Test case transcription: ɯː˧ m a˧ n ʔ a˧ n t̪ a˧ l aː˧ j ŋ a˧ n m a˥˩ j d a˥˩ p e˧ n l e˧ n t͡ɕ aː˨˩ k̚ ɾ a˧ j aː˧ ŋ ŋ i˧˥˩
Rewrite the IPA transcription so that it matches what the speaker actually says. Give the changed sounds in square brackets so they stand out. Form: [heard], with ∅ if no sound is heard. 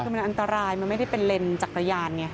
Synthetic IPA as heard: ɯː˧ m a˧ n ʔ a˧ n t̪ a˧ [ɾ] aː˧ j [m] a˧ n m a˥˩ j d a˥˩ p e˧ n l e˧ n t͡ɕ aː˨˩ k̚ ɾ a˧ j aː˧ [n] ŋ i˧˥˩